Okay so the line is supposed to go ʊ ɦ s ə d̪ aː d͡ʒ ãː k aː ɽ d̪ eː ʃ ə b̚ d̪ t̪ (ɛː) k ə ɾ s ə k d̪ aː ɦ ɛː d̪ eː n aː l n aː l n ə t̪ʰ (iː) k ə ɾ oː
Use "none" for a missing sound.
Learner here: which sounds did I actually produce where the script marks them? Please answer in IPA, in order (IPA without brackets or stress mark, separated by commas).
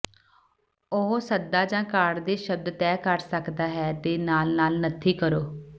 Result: ɛː, iː